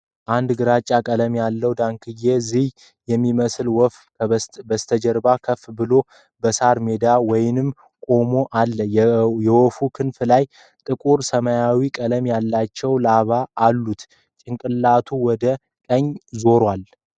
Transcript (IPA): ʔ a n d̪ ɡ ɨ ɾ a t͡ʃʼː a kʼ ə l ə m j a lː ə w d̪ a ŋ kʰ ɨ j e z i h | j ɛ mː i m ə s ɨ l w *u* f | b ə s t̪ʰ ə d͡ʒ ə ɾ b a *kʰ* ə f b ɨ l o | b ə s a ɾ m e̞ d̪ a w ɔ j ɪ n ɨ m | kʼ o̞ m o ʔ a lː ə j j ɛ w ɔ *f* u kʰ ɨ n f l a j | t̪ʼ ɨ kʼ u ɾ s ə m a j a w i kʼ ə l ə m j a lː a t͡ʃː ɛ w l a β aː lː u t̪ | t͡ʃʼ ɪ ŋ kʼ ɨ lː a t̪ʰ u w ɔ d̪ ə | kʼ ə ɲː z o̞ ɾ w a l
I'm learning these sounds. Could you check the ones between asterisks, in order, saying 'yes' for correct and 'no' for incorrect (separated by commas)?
no, yes, yes